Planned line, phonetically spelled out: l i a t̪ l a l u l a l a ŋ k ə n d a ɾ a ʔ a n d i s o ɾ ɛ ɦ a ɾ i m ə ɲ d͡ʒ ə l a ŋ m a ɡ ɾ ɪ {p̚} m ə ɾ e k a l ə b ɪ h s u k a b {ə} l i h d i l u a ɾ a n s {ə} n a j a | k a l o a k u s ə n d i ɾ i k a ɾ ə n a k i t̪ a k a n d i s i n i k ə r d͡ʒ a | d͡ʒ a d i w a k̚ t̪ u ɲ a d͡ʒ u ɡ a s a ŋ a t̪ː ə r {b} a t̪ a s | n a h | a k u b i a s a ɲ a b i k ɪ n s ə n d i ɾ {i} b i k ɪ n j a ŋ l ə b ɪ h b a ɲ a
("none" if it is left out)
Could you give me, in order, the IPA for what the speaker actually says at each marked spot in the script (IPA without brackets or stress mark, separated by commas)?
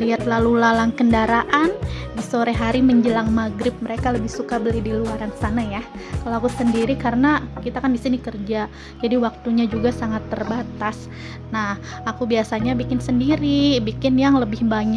p̚, ə, a, b, i